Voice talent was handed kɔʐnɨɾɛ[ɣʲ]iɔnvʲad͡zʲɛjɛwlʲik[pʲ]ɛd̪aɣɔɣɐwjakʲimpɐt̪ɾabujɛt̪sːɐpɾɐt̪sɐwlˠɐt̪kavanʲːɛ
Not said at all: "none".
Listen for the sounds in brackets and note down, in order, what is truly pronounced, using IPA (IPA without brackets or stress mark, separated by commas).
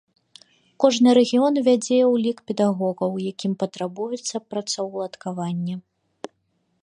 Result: ɣʲ, pʲ